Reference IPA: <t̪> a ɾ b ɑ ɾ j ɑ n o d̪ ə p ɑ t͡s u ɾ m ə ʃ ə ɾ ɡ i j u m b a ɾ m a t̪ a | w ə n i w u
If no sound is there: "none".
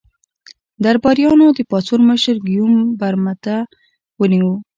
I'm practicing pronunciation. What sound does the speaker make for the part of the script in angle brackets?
d̪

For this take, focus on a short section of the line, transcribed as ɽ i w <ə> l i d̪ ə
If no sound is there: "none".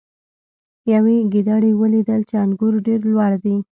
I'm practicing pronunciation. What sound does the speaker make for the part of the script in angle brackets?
ə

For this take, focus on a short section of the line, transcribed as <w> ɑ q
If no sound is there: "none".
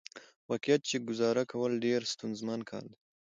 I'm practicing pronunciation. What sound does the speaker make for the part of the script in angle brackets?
w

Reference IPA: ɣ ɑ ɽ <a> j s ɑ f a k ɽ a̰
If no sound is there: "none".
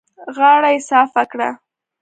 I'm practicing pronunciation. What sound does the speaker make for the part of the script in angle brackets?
a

